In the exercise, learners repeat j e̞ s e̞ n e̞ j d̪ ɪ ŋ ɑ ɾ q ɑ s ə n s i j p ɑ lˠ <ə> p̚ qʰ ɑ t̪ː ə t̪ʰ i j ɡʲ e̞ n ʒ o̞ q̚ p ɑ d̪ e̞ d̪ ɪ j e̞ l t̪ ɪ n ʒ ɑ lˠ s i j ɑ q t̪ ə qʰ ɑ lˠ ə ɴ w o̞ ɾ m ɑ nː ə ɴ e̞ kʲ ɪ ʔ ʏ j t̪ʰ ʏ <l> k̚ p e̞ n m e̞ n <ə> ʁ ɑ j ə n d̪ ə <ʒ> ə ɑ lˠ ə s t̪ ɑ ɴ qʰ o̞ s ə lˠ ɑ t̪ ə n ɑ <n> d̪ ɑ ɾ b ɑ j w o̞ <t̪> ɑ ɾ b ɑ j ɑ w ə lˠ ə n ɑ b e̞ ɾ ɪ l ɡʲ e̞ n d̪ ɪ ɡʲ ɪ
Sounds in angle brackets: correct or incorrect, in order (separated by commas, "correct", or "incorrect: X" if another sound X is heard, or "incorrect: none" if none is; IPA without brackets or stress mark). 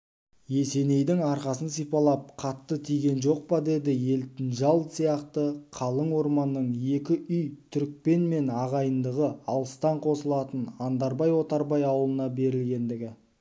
incorrect: ɑ, incorrect: ɾ, incorrect: ɑ, incorrect: ʁ, correct, correct